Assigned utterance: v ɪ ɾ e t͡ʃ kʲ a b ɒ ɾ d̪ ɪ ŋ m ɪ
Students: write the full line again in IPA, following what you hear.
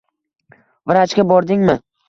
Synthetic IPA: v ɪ ɾ a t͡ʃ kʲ a b ɒ ɾ d̪ ɪ ŋ m ɪ